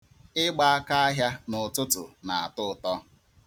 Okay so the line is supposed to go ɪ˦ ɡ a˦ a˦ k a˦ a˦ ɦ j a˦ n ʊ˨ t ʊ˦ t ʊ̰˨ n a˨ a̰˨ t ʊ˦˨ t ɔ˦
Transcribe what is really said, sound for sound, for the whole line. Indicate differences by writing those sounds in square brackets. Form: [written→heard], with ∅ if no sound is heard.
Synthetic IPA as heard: ɪ˦ [ɡ→ɡ͡b] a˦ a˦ k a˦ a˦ ɦ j a˦ n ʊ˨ t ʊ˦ t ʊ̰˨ n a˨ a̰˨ t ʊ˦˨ t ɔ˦